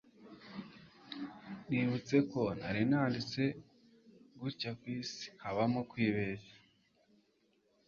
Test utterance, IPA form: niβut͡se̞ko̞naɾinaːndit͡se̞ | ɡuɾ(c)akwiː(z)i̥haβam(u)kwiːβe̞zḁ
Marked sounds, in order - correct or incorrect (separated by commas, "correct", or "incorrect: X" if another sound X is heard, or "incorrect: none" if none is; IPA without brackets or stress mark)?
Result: correct, incorrect: s, incorrect: o